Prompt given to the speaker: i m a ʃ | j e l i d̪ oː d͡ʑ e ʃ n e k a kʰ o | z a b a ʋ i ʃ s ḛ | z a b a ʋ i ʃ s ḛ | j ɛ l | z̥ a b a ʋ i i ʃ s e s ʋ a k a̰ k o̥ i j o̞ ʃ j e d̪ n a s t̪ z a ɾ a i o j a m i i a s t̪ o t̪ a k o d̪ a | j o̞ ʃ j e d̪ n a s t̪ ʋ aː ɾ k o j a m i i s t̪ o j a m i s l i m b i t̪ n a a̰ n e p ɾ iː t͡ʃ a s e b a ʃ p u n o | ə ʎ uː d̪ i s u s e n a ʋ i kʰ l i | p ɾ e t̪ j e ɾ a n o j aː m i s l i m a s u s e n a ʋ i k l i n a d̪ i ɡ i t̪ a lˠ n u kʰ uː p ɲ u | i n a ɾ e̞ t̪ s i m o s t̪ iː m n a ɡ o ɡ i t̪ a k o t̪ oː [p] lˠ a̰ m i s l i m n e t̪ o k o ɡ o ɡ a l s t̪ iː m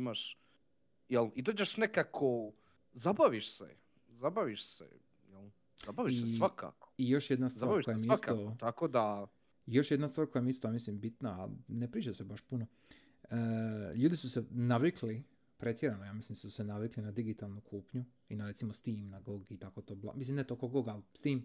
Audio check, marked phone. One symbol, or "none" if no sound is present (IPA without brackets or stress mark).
b